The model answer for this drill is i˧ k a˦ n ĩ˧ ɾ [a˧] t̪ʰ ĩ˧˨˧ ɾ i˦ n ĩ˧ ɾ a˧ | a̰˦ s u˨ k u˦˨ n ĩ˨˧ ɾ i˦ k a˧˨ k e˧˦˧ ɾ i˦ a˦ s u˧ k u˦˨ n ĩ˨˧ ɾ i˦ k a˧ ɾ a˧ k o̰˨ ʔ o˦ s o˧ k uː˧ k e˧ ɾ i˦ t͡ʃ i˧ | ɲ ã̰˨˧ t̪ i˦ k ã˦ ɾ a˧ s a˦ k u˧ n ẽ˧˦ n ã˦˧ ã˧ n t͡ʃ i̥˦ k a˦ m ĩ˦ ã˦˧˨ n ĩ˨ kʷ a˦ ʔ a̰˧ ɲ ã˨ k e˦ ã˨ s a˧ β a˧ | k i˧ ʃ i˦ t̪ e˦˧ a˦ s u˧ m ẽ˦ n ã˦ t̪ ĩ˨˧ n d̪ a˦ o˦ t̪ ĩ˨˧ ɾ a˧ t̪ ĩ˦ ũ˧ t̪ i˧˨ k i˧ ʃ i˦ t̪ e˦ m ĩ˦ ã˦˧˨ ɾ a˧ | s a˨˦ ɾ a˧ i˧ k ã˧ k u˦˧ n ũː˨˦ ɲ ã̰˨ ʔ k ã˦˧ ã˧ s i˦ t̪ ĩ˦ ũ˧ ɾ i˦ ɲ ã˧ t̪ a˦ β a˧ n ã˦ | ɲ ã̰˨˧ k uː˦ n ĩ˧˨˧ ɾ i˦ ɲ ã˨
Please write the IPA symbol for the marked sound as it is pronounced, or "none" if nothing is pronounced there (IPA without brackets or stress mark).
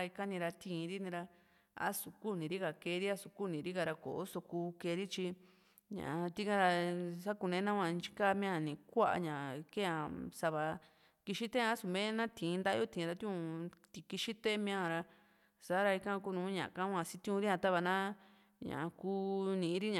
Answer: a˧